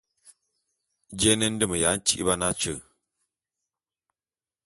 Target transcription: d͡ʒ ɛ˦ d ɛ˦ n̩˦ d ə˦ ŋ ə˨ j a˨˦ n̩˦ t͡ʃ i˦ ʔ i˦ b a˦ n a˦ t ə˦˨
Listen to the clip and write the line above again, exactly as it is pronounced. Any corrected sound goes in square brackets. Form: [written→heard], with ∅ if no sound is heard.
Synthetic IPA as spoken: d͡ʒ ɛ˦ [d→n] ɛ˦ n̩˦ d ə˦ [ŋ→m] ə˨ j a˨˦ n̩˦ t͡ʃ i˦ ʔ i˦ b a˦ n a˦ [t→t͡ʃ] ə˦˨